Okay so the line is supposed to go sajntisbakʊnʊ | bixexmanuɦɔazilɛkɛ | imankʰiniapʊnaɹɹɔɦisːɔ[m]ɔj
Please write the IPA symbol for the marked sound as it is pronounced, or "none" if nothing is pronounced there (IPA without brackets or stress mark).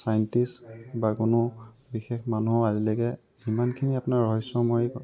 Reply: m